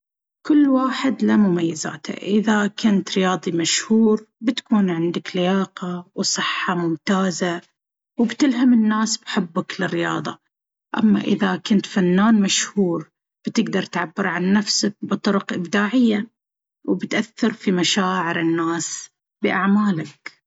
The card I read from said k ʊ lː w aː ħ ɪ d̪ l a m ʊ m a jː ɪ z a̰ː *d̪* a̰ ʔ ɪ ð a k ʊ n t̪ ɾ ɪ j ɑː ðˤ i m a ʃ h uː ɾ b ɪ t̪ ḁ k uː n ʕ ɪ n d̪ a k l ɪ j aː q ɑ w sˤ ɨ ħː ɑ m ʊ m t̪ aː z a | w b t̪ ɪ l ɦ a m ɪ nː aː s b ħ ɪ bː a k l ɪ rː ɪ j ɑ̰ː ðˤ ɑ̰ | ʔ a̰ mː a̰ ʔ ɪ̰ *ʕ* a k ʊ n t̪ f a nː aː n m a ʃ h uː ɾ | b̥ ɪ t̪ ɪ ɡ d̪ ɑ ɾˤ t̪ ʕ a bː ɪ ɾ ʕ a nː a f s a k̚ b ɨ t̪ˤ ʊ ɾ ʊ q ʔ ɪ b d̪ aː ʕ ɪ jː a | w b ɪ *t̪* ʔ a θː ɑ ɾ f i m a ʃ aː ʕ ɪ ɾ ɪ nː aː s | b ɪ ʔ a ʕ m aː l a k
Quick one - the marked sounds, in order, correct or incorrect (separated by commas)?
incorrect, incorrect, correct